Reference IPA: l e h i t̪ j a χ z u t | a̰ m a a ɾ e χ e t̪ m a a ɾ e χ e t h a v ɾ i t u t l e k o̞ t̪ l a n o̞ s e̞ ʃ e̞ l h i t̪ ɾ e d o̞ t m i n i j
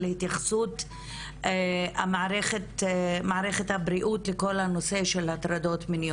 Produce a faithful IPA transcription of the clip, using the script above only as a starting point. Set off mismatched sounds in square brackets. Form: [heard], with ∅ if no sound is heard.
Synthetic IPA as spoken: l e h i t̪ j a χ [s] u t | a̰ m a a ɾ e χ e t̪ m a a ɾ e χ e t h a [b] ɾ i [ʔ] u t l e k o̞ [∅] l a n o̞ s e̞ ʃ e̞ l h [a] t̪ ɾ [a] d o̞ t m i n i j